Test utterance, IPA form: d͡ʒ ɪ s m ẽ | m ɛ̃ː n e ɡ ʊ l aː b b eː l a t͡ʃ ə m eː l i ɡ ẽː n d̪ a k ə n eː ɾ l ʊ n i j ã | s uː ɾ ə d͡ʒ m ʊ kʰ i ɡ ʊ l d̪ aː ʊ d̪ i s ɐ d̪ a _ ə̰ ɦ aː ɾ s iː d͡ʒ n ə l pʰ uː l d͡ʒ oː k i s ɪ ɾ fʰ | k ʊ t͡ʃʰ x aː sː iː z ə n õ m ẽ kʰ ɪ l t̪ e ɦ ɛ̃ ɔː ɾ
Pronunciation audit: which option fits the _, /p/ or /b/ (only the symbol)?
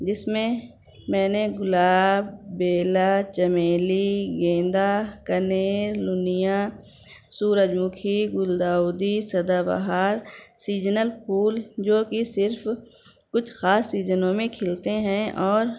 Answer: b